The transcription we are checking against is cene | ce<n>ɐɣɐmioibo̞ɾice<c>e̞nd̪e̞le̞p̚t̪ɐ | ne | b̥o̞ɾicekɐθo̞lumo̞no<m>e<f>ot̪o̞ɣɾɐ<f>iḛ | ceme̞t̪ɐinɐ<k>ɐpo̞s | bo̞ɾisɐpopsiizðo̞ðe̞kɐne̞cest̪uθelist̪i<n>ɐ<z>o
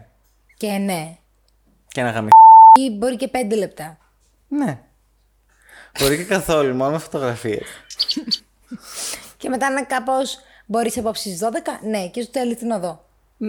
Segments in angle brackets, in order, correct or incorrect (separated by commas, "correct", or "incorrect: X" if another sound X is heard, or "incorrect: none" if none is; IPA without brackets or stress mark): correct, incorrect: p, correct, correct, correct, correct, correct, incorrect: ð